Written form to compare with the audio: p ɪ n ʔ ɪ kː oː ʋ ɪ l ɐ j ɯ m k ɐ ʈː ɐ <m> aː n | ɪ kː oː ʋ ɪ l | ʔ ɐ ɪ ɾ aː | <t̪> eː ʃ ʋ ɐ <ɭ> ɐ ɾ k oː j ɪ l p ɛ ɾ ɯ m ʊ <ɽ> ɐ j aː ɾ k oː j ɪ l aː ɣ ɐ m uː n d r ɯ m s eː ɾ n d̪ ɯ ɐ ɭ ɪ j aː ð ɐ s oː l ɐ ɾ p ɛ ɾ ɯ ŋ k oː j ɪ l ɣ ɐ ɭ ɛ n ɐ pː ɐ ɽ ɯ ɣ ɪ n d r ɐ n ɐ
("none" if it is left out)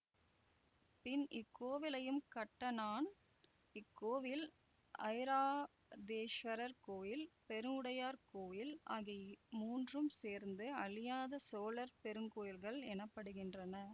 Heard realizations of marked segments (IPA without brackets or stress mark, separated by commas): n, d̪, ɾ, ɽ